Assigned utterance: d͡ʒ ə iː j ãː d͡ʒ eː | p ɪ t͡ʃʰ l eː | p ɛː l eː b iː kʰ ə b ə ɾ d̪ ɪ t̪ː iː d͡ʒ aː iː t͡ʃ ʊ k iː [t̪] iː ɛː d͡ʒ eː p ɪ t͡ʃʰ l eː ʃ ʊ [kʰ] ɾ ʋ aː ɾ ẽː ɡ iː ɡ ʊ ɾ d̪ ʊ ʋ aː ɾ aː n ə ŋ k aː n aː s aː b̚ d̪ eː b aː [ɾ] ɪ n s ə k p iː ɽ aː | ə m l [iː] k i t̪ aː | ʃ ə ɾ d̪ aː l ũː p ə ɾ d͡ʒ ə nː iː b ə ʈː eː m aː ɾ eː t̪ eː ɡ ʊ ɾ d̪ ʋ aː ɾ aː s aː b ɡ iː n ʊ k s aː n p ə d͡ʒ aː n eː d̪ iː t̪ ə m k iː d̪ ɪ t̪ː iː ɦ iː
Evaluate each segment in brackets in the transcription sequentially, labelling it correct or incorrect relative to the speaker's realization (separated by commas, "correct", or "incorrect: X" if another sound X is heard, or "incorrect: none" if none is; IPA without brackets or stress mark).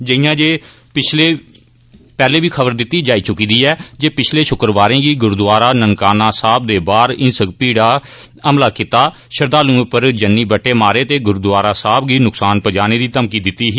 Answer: incorrect: d̪, incorrect: k, correct, incorrect: aː